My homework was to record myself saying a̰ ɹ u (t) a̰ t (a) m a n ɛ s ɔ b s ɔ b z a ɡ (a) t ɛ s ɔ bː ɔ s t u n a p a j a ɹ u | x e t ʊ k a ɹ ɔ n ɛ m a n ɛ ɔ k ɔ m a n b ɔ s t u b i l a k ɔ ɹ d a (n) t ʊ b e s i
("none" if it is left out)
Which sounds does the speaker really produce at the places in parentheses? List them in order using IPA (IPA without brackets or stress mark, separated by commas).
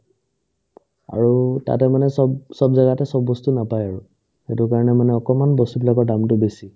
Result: t, ɛ, a, m